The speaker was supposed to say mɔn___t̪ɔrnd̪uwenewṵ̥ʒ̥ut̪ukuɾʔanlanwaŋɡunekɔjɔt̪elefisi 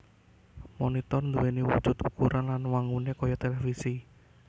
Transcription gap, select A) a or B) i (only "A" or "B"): B